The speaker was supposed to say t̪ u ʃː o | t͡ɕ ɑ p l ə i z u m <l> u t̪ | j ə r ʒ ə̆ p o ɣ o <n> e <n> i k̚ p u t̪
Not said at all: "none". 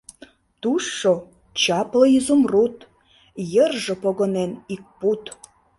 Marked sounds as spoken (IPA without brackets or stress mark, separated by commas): r, n, n